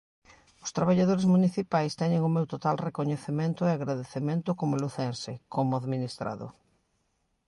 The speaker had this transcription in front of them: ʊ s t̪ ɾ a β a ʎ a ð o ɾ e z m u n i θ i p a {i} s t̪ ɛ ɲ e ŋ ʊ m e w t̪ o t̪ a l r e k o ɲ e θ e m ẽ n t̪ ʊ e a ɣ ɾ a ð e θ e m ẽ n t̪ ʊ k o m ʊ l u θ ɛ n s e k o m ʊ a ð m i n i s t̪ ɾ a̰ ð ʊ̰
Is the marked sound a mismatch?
yes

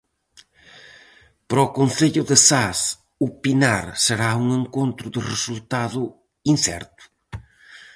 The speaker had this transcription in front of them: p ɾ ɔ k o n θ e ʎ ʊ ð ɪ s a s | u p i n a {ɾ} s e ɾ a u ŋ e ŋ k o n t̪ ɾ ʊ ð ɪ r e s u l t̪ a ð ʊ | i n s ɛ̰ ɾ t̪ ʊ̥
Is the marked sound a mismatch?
no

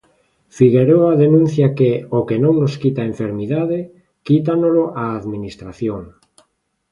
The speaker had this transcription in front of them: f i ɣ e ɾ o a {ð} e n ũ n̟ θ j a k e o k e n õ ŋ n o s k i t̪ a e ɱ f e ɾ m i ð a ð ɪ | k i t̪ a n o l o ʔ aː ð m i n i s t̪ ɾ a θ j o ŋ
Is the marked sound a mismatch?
no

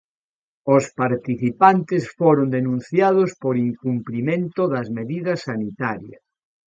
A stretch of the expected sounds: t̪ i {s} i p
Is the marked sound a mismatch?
yes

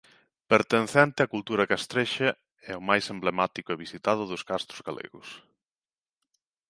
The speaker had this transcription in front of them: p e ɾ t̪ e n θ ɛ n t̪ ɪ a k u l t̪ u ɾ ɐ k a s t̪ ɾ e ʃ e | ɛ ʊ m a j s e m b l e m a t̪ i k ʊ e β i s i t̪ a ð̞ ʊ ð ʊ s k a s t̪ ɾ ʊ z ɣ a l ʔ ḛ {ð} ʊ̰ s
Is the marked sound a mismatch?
yes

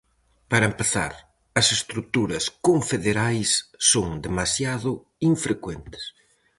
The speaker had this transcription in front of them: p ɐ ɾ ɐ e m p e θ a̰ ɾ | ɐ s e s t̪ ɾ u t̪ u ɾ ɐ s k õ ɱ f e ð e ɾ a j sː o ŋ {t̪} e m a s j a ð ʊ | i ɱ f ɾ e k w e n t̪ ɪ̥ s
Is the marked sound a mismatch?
yes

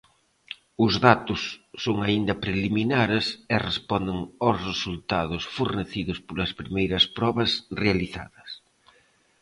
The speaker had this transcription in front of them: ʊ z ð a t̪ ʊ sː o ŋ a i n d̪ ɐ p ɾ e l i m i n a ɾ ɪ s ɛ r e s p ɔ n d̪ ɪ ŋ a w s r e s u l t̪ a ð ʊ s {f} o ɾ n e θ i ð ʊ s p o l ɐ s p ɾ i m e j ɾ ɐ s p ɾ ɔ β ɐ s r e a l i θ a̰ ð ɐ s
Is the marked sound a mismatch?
no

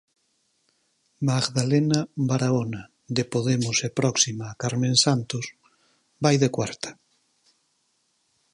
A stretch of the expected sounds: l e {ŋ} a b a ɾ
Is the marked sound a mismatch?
yes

